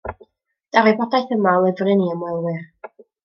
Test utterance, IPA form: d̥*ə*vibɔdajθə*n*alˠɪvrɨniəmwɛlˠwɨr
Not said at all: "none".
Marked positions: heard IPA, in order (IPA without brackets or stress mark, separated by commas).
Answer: a, m